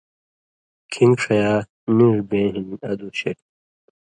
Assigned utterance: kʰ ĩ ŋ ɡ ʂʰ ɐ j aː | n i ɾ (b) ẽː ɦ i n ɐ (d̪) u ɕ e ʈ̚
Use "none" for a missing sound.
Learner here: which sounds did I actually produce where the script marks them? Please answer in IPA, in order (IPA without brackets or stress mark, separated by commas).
b, d̪